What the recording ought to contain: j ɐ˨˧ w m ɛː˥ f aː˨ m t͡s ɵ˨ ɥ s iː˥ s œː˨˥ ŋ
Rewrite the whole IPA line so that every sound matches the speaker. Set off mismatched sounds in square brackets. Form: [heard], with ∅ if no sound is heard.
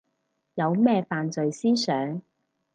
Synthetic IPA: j ɐ˨˧ w m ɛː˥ f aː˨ [n] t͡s ɵ˨ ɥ s iː˥ s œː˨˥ ŋ